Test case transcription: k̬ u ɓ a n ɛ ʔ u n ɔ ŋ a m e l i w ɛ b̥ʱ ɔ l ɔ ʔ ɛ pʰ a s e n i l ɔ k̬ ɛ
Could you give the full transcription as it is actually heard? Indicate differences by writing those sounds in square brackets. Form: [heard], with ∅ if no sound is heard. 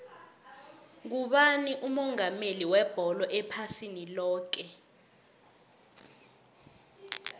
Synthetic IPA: k̬ u ɓ a n [i] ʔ u [m] ɔ ŋ a m e l i w ɛ b̥ʱ ɔ l ɔ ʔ ɛ pʰ a s [i] n i l [ɔː] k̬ ɛ